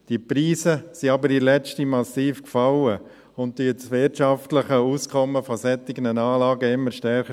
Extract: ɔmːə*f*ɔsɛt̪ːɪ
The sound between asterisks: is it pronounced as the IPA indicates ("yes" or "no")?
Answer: yes